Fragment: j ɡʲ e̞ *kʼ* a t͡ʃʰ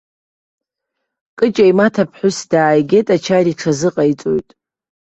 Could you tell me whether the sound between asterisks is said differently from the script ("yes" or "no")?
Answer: yes